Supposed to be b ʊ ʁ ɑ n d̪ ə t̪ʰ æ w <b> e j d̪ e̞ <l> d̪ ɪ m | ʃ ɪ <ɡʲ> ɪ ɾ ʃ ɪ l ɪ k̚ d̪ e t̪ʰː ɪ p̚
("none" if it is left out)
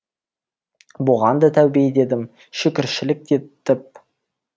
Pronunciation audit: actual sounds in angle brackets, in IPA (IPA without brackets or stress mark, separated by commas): b, none, kʲ